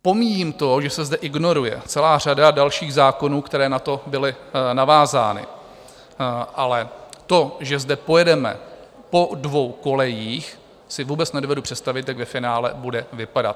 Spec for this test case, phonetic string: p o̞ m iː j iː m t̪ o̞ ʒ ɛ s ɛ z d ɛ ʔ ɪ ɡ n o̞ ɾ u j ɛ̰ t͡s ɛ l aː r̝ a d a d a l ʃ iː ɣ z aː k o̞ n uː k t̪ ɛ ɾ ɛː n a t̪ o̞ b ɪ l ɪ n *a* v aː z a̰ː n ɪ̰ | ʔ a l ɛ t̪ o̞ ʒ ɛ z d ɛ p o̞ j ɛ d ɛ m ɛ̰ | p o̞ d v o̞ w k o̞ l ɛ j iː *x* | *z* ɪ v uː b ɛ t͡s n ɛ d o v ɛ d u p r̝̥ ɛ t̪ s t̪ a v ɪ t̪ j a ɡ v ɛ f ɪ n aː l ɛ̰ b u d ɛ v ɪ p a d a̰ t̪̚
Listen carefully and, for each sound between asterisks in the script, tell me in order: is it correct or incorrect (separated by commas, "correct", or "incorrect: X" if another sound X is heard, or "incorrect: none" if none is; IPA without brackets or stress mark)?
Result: correct, correct, incorrect: s